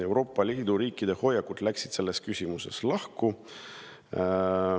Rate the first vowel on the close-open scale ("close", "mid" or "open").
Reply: mid